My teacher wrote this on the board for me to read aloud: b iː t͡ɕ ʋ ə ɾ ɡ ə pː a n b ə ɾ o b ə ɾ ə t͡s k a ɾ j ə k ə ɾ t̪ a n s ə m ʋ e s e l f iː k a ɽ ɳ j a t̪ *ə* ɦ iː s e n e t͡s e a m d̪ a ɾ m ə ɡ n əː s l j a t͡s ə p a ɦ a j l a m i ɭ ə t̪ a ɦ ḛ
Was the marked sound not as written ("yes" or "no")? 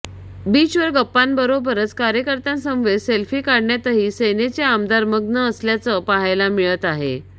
no